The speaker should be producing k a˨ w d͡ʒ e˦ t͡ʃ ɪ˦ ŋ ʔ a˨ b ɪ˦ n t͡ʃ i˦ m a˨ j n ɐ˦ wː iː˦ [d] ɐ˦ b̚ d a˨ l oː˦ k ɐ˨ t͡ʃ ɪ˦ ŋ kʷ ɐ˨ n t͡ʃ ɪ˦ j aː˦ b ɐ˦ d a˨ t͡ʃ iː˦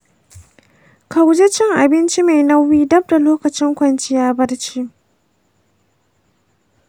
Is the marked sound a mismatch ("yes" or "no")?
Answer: no